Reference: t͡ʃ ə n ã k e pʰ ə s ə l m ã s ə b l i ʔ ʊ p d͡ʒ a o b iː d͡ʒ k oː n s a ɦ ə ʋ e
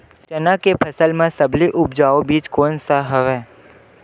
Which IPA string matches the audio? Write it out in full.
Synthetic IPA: t͡ʃ ə n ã k e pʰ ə s ə l m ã s ə b l i ʔ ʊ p d͡ʒ a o b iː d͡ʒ k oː n s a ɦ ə ʋ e

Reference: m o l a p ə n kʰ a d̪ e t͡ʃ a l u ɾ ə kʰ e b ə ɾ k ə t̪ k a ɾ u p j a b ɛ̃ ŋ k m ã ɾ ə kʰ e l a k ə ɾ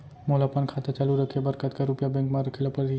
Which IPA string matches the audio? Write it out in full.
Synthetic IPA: m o l a p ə n kʰ a t̪ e t͡ʃ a l u ɾ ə kʰ e b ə ɾ k ə t̪ k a ɾ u p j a b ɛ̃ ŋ k m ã ɾ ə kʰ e l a p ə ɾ

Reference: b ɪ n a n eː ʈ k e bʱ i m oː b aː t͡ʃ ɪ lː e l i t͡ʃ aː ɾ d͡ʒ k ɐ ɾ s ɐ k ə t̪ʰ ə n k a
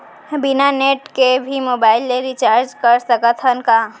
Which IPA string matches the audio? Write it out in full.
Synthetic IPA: b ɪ n a n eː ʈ k e bʱ i m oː b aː ɪ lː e ɾ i t͡ʃ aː ɾ d͡ʒ k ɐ ɾ s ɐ k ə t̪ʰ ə n k a

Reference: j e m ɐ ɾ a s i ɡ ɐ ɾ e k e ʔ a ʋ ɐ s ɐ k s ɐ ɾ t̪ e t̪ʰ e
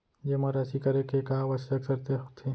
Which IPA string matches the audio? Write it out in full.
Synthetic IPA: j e m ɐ ɾ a s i k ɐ ɾ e k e k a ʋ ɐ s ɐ k s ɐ ɾ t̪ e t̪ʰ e

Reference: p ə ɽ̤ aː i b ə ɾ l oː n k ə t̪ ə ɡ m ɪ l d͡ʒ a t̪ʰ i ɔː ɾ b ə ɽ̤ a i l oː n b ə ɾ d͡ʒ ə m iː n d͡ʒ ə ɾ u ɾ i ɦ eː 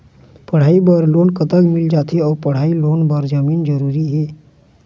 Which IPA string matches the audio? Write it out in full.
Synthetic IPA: p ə ɽ̤ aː i b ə ɾ l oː n k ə t̪ ə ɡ m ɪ l d͡ʒ a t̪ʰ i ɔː ɾ p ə ɽ̤ a i l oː n b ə ɾ d͡ʒ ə m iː n d͡ʒ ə ɾ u ɾ i ɦ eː

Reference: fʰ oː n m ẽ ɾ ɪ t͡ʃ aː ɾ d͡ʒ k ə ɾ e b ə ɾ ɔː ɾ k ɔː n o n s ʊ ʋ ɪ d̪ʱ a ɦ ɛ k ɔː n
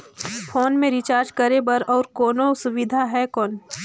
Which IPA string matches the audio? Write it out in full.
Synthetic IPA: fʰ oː n m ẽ ɾ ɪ t͡ʃ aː ɾ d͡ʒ k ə ɾ e b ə ɾ ɔː ɾ k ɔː n o s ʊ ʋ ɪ d̪ʱ a ɦ ɛ k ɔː n

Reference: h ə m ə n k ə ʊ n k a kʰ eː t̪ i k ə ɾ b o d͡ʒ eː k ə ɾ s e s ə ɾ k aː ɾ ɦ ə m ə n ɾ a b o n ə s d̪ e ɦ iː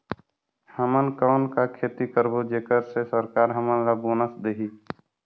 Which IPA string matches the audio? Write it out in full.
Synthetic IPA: h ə m ə n k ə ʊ n k a kʰ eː t̪ i k ə ɾ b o d͡ʒ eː k ə ɾ s e s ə ɾ k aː ɾ ɦ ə m ə n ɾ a b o n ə s d̪ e ɦ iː

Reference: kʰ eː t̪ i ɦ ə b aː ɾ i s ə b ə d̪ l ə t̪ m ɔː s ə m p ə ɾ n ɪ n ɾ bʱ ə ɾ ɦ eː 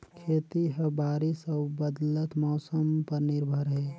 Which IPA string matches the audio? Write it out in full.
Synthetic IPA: kʰ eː t̪ i ɦ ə b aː ɾ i s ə b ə d̪ l ə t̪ m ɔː s ə m p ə ɾ n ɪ ɾ bʱ ə ɾ ɦ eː

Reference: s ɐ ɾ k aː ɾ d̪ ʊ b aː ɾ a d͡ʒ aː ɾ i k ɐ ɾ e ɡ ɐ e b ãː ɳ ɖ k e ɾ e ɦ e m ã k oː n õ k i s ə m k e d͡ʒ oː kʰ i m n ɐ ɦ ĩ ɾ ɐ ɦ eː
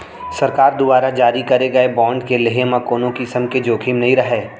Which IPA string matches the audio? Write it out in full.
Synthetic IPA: s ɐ ɾ k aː ɾ d̪ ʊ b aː ɾ a d͡ʒ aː ɾ i k ɐ ɾ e ɡ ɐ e b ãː ɳ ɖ k e l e ɦ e m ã k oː n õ k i s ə m k e d͡ʒ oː kʰ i m n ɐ ɦ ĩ ɾ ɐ ɦ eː

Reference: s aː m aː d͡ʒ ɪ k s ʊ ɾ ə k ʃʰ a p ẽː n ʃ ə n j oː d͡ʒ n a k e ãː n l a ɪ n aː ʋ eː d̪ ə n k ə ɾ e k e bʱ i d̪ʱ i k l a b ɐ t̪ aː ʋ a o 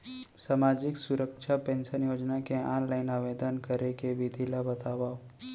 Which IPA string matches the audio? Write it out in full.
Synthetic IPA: s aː m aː d͡ʒ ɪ k s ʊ ɾ ə k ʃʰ a p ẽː n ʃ ə n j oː d͡ʒ n a k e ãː n l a ɪ n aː ʋ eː d̪ ə n k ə ɾ e k e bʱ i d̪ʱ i l a b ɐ t̪ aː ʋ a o

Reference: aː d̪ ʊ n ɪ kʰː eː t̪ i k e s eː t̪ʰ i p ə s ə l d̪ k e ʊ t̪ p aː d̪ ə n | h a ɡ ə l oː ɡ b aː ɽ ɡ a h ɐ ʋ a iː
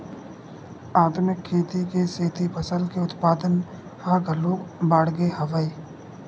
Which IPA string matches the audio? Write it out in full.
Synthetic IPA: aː d̪ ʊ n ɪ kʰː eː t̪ i k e s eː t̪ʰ i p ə s ə l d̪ k e ʊ t̪ p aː d̪ ə n | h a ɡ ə l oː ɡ b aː ɽ ɡ e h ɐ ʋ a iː

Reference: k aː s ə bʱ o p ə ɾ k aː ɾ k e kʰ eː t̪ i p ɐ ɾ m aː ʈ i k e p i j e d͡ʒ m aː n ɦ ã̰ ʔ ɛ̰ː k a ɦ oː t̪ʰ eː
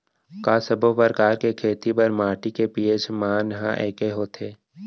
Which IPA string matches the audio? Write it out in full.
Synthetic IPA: k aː s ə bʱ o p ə ɾ k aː ɾ k e kʰ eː t̪ i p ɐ ɾ m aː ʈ i k e p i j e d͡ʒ m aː n ɦ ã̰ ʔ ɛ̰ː k e ɦ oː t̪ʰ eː

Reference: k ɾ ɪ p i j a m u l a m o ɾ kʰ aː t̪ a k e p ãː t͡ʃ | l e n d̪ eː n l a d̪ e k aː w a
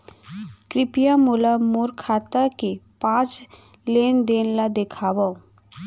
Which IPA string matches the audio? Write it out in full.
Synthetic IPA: k ɾ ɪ p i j a m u l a m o ɾ kʰ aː t̪ a k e p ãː t͡ʃ | l e n d̪ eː n l a d̪ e kʰ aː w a

